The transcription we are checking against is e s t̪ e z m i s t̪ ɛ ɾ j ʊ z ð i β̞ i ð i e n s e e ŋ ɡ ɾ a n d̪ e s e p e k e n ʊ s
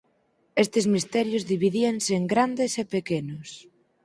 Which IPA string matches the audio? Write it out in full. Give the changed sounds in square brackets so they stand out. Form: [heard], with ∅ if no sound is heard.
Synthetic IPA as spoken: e s t̪ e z m i s t̪ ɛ ɾ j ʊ z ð i β̞ i ð i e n s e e ŋ ɡ ɾ a n d̪ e s e p e k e n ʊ s